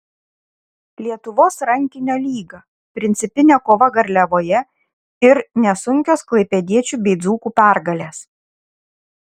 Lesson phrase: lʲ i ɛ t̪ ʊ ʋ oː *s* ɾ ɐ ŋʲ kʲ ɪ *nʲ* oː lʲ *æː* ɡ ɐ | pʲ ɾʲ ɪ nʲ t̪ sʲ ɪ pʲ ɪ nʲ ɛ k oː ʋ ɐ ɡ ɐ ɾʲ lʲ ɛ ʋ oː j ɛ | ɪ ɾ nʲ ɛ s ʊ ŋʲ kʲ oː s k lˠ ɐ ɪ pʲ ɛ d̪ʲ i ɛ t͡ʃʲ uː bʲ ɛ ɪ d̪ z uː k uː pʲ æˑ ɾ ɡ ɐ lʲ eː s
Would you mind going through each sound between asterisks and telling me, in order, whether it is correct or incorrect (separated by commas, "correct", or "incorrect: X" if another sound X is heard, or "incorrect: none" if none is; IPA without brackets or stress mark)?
correct, correct, incorrect: iː